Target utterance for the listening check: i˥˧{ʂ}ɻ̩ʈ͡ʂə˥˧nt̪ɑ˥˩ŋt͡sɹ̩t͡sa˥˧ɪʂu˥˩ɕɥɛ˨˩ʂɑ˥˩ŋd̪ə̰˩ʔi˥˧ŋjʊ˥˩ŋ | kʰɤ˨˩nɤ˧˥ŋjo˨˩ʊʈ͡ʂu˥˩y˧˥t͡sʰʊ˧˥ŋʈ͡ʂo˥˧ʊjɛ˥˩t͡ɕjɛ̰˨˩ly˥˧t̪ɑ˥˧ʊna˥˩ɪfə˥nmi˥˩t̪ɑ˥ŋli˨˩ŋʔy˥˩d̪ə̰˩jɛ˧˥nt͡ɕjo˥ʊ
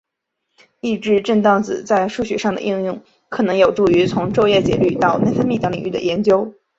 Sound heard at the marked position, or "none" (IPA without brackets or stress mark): ʈ͡ʂ